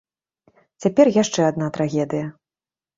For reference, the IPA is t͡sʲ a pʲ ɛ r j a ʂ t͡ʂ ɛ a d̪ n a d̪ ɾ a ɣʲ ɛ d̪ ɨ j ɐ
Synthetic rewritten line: t͡sʲ a pʲ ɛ r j a ʂ t͡ʂ ɛ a d̪ n a t̪ ɾ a ɣʲ ɛ d̪ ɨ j ɐ